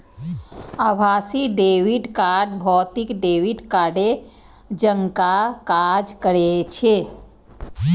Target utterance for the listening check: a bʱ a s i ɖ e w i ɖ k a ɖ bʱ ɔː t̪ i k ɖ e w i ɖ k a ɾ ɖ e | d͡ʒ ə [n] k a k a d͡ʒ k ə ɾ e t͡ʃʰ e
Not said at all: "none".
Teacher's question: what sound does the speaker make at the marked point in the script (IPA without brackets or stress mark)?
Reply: ŋ